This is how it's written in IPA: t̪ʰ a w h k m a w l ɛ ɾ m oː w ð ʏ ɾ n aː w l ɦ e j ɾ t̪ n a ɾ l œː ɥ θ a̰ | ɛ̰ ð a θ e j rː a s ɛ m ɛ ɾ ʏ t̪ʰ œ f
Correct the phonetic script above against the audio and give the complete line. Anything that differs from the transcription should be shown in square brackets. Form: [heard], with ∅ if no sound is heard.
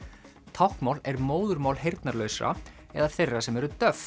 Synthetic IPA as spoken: t̪ʰ a w h k m a w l ɛ ɾ m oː w ð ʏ ɾ [m] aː w l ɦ e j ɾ t̪ n a ɾ l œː ɥ [s] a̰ | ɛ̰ ð a θ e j rː a s ɛ m ɛ ɾ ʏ [t̪] œ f